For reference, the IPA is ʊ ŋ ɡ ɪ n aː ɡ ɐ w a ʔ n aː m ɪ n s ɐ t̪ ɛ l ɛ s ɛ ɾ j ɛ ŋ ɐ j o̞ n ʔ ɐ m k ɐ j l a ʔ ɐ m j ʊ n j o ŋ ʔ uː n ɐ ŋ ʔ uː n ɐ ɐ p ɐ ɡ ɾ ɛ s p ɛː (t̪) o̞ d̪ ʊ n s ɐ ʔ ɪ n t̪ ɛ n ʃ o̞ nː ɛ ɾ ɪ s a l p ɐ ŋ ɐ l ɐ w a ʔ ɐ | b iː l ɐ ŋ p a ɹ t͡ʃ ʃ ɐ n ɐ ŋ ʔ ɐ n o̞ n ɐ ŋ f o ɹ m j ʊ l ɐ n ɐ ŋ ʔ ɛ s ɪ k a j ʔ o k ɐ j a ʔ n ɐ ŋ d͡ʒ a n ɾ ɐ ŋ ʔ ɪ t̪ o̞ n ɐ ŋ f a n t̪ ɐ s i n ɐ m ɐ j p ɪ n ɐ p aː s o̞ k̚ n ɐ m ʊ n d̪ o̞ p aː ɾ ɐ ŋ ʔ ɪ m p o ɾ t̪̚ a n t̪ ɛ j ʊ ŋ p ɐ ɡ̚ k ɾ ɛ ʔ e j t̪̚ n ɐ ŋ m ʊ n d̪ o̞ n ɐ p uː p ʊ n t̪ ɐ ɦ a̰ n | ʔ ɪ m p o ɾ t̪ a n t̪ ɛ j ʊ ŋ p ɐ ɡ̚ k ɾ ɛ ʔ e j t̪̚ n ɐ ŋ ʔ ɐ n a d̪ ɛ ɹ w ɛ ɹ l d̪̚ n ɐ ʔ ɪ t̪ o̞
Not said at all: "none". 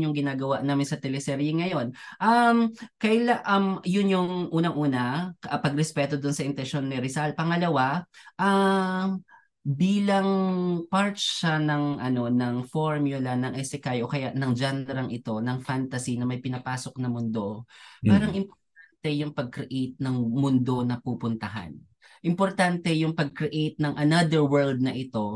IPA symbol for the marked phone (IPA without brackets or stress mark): t̪